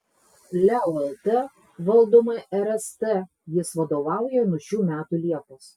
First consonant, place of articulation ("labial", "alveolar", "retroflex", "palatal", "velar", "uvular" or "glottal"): alveolar